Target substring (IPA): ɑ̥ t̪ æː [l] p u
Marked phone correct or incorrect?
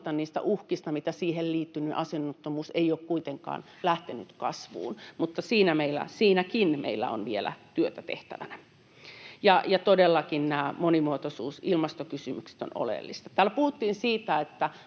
correct